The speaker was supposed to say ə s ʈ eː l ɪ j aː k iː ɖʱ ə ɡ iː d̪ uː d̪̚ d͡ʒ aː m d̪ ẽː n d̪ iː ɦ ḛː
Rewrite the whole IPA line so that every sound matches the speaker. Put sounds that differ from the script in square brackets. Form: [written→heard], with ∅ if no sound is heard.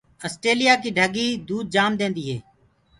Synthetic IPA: ə s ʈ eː l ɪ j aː k iː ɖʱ ə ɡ iː d̪ uː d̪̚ d͡ʒ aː m d̪ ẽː n d̪ iː ɦ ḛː